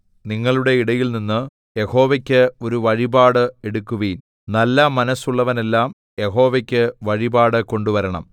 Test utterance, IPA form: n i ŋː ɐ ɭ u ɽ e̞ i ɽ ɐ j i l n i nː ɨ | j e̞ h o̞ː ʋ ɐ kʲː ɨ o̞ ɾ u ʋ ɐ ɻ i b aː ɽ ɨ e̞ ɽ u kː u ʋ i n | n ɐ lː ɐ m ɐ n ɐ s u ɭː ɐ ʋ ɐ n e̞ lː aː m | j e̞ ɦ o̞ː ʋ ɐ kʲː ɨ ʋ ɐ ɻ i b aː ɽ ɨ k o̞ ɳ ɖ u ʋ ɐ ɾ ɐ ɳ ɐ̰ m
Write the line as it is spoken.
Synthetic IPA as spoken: n i ŋː ɐ ɭ u ɽ e̞ i ɽ ɐ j i l n i nː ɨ | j e̞ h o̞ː ʋ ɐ kʲː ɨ o̞ ɾ u ʋ ɐ ɻ i b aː ɽ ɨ e̞ ɽ u kː u ʋ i n | n ɐ lː ɐ m ɐ n ɐ s u ɭː ɐ ʋ ɐ n e̞ lː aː m | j e̞ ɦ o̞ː ʋ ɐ kʲː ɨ ʋ ɐ ɻ i b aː ɽ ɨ k o̞ ɳ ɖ u ʋ ɐ ɾ ɐ ɳ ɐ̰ m